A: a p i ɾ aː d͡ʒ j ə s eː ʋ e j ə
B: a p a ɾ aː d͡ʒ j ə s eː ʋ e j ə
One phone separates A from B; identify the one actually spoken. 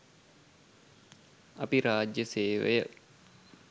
A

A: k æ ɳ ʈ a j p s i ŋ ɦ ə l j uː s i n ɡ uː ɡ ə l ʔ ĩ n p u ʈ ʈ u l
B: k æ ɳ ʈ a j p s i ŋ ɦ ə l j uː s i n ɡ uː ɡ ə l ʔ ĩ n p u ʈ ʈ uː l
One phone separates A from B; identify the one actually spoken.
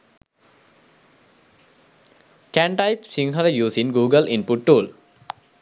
B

